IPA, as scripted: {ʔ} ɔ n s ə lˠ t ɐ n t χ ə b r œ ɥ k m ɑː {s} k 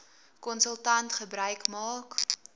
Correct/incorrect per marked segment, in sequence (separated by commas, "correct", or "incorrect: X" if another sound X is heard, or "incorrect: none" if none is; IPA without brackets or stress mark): incorrect: k, incorrect: none